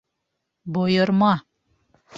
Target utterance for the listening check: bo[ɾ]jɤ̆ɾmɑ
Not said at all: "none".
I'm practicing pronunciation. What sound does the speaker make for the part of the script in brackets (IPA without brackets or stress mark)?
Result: none